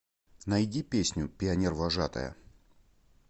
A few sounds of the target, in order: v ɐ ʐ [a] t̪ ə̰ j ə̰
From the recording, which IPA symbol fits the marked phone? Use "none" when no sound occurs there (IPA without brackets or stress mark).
a